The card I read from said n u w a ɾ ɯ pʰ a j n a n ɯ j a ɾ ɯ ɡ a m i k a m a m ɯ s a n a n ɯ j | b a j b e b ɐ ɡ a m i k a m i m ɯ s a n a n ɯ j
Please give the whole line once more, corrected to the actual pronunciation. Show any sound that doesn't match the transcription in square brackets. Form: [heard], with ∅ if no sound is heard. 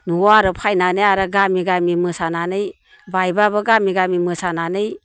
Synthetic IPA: n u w a ɾ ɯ pʰ a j n a n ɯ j a ɾ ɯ ɡ a m i [ɡ] a m [i] m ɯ s a n a n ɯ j | b a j b [a] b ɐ ɡ a m i [ɡ] a m i m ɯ s a n a n ɯ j